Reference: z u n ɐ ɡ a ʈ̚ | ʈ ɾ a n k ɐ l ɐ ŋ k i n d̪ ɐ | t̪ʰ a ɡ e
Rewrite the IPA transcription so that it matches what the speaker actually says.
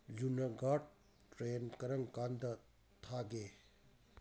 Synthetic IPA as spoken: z u n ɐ ɡ a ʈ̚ | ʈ ɾ e n k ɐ ɾ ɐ ŋ k a n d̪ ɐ | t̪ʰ a ɡ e